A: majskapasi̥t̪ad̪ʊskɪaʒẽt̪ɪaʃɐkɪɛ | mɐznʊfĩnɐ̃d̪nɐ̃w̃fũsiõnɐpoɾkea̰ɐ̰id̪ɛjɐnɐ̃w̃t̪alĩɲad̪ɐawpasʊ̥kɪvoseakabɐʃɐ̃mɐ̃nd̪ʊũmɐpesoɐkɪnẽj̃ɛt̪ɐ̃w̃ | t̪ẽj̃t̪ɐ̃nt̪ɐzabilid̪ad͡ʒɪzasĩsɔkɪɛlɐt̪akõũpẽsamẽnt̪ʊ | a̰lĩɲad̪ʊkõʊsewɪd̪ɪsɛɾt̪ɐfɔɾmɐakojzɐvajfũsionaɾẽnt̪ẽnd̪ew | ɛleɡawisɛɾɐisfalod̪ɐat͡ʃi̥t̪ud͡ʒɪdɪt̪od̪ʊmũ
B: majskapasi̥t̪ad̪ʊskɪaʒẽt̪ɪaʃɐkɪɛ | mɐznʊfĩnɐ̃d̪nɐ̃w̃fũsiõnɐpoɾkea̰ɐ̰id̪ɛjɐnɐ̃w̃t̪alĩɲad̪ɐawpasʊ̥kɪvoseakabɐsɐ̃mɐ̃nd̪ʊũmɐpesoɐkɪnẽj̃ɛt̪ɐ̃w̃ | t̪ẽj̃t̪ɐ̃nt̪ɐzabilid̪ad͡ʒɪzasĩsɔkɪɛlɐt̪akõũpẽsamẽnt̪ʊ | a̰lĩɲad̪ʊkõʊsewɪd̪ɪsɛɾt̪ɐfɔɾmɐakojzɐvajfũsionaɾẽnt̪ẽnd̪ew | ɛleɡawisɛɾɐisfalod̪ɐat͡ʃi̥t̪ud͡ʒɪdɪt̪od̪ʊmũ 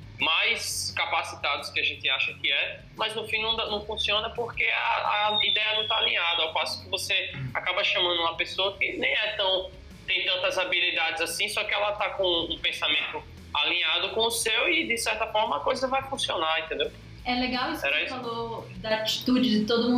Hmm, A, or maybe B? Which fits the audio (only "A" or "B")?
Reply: A